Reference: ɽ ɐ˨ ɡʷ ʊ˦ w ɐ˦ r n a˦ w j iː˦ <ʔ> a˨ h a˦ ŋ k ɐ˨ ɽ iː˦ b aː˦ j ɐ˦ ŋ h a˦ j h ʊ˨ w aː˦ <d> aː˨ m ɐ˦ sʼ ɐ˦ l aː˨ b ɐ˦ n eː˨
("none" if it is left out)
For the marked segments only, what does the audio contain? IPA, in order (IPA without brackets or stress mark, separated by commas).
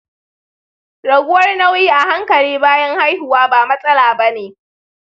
ʔ, b